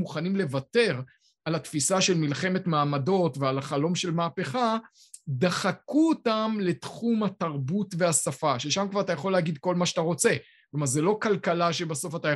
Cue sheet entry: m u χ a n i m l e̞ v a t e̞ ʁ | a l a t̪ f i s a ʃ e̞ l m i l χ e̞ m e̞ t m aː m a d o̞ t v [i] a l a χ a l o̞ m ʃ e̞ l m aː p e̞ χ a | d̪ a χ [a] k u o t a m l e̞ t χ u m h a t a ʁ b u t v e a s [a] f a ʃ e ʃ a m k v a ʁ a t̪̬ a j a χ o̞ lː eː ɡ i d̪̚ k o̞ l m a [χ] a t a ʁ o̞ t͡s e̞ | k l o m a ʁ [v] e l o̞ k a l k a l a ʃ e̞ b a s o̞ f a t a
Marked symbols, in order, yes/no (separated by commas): no, yes, yes, no, no